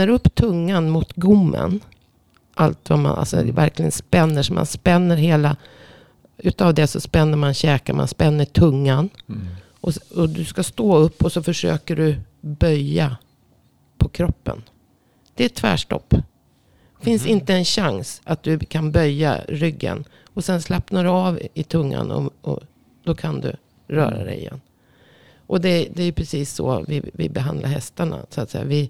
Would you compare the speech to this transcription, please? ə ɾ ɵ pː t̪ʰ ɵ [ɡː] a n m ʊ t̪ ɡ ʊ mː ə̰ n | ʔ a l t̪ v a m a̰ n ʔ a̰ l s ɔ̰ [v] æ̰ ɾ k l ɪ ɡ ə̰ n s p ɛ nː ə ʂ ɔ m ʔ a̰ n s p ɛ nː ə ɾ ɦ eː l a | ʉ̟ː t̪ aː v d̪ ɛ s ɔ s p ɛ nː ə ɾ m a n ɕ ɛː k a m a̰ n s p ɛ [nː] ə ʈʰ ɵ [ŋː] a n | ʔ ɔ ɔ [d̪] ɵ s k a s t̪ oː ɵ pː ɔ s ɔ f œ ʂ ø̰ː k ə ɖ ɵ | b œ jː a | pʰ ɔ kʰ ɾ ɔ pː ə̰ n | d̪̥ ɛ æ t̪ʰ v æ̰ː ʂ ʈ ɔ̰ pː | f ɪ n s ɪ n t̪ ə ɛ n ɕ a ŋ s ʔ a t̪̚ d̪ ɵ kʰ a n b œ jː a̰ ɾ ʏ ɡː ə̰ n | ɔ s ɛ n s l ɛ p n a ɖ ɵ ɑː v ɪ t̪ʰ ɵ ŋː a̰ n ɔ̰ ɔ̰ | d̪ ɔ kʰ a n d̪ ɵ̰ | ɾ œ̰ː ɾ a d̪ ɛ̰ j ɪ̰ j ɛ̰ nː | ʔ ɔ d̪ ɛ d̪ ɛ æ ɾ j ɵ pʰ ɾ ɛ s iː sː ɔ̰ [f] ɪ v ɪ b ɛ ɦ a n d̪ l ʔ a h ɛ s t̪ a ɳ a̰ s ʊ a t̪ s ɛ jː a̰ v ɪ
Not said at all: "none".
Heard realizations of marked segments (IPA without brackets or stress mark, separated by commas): ŋː, v, nː, ŋː, d̪, v